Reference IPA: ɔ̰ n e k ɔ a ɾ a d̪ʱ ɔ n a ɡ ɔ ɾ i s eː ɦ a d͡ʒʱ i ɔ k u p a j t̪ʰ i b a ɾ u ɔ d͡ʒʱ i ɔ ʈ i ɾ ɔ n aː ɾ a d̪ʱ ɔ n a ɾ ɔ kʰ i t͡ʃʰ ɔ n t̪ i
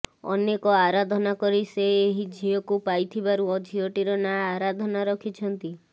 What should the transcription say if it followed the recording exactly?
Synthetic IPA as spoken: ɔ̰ n e k ɔ a ɾ a d̪ʱ ɔ n a k ɔ ɾ i s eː ɦ i d͡ʒʱ i ɔ k u p a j t̪ʰ i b a ɾ u ɔ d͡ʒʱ i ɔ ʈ i ɾ ɔ n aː ɾ a d̪ʱ ɔ n a ɾ ɔ kʰ i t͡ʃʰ ɔ n t̪ i